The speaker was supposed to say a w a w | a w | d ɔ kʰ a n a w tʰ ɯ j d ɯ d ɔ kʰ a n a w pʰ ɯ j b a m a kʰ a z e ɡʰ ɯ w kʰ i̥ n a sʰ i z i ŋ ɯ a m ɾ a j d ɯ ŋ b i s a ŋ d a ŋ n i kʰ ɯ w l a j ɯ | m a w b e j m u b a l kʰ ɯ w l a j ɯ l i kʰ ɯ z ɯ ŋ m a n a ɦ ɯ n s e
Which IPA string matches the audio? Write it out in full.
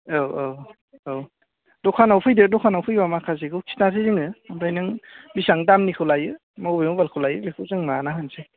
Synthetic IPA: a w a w | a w | d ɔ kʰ a n a w pʰ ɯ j d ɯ d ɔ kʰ a n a w pʰ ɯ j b a m a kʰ a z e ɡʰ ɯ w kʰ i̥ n a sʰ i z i ŋ ɯ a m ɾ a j n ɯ ŋ b i s a ŋ d a m n i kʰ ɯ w l a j ɯ | m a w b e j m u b a l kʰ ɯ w l a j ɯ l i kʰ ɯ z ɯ ŋ m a n a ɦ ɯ n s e